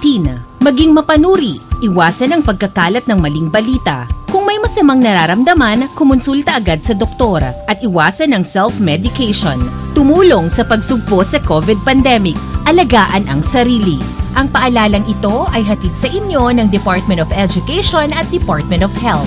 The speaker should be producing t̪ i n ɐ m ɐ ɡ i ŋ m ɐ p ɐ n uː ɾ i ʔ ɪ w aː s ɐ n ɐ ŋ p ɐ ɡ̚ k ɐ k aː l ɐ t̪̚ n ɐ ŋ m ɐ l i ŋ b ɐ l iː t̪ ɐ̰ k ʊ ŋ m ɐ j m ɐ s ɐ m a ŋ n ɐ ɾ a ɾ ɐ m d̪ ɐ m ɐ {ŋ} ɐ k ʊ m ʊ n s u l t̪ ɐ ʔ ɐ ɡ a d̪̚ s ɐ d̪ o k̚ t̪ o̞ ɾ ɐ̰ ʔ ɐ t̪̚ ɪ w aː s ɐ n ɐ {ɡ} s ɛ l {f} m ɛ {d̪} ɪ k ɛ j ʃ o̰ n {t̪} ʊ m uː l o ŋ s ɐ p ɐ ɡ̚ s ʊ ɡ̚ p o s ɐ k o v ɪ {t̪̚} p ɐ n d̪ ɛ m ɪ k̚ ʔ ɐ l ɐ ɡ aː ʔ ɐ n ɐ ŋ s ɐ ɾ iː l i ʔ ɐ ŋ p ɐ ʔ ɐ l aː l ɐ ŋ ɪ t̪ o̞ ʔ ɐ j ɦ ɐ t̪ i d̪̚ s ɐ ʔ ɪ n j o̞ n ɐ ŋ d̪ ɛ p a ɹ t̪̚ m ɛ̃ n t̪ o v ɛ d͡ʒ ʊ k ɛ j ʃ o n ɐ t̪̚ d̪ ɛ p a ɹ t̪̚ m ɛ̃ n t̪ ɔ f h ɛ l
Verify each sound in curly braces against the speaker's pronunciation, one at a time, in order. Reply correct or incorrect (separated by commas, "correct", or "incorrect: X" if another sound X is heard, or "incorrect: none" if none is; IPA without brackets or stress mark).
incorrect: n, incorrect: ŋ, correct, correct, correct, incorrect: d̪̚